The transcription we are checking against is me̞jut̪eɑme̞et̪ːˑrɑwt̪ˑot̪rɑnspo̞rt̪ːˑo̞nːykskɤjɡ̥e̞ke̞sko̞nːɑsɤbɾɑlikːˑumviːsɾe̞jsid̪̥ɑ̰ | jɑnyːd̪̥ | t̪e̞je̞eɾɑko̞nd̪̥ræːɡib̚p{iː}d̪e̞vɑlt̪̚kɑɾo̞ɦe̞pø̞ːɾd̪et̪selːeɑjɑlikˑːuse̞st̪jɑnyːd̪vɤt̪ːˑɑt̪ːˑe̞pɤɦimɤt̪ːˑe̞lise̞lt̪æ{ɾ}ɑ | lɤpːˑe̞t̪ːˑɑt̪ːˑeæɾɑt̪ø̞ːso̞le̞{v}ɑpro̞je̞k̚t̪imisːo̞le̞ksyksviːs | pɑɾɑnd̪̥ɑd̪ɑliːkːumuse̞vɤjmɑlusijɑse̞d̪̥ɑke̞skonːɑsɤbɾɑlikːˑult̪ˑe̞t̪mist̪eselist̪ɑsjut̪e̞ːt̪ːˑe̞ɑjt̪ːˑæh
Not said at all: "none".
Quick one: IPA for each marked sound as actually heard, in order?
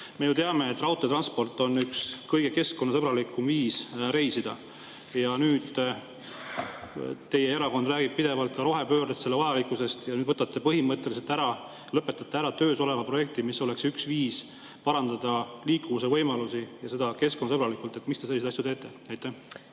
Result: i, ɾ, v

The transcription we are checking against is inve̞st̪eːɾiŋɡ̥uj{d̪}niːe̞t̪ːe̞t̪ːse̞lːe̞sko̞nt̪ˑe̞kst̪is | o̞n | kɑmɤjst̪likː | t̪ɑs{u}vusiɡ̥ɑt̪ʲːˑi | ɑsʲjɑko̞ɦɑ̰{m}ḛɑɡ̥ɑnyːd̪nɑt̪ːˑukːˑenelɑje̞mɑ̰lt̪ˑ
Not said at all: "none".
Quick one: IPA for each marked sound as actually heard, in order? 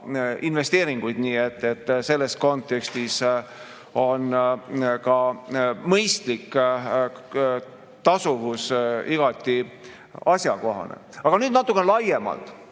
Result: d̪, u, n

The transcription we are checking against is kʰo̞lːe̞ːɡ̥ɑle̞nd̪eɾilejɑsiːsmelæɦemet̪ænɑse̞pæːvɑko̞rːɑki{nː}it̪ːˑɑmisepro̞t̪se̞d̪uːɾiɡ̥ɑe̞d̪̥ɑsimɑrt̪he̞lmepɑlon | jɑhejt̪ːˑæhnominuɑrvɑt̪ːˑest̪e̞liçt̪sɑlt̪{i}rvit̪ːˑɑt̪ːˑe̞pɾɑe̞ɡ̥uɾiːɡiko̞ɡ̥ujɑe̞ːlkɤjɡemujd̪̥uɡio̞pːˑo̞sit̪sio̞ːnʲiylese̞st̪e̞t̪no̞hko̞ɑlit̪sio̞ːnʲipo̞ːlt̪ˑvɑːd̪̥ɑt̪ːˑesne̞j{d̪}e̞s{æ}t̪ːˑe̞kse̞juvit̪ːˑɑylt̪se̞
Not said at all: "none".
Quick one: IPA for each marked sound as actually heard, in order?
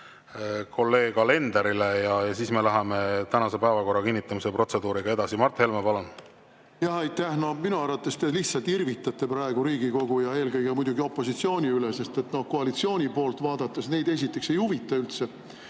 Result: nː, i, d̪, i

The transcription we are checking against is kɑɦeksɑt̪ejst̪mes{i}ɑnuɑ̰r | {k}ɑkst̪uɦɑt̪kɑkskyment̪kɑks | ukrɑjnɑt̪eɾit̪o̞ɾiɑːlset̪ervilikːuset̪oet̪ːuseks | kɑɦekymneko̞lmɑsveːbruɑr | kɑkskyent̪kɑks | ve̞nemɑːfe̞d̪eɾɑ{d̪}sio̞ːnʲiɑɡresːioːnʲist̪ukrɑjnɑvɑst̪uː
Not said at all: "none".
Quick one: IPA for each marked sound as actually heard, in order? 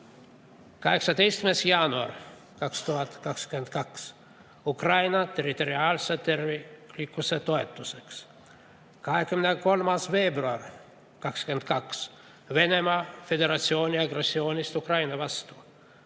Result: j, k, t̪

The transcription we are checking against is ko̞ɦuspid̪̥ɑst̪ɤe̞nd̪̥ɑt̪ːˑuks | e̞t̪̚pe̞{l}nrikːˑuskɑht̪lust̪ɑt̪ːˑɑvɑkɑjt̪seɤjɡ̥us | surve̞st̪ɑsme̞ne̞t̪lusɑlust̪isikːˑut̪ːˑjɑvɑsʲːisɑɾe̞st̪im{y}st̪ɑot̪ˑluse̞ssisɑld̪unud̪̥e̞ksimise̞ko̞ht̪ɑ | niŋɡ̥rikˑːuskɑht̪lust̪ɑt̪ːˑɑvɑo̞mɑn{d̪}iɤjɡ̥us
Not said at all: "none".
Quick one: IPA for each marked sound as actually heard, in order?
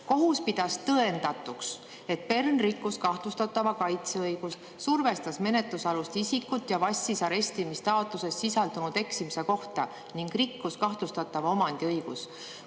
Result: r, i, d̪

